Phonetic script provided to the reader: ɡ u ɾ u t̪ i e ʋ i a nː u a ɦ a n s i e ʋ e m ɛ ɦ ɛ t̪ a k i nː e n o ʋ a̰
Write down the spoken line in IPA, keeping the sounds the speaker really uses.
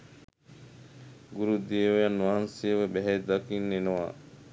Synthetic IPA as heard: ɡ u ɾ u d̪ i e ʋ j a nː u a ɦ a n s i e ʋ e b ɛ ɦ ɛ d̪ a k i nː e n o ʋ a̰